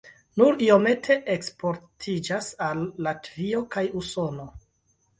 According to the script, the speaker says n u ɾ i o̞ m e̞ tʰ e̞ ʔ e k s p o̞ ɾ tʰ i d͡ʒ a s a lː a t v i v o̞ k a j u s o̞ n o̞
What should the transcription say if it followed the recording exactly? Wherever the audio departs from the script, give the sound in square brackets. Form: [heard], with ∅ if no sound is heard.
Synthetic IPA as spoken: n u ɾ i o̞ m e̞ tʰ e̞ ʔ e k s p o̞ ɾ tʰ i d͡ʒ a s a lː a t v i [∅] o̞ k a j u s o̞ n o̞